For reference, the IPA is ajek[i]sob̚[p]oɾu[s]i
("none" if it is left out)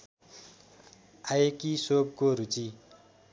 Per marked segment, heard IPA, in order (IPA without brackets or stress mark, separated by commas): i, k, t͡s